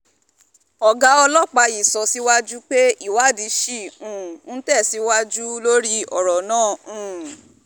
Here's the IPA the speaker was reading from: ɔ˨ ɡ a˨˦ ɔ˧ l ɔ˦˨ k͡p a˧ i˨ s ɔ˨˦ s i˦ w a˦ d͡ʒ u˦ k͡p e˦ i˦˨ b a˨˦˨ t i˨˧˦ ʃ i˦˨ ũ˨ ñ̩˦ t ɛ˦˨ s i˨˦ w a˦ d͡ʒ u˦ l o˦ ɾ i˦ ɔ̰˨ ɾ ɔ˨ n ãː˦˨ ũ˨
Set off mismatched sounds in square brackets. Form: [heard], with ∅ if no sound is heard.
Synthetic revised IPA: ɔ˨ ɡ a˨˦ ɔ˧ l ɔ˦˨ k͡p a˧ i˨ s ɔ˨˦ s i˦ w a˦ d͡ʒ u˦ k͡p e˦ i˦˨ [w] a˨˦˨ [d] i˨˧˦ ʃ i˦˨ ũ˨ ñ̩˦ t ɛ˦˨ s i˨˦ w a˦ d͡ʒ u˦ l o˦ ɾ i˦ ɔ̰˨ ɾ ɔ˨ n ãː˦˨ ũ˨